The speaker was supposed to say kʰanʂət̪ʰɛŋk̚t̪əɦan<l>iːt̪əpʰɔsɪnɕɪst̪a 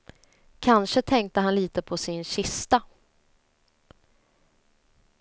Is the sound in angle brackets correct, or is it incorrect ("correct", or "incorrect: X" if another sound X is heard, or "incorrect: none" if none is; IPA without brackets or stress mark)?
correct